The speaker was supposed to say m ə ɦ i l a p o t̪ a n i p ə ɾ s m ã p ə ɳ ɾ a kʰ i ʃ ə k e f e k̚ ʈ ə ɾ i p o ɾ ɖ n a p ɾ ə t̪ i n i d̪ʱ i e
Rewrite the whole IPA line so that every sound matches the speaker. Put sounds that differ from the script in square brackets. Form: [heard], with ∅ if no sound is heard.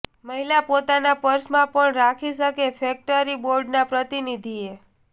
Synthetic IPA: m ə ɦ i l a p o t̪ a n [a] p ə ɾ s m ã p ə ɳ ɾ a kʰ i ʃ ə k e f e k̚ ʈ ə ɾ i [b] o ɾ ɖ n a p ɾ ə t̪ i n i d̪ʱ i e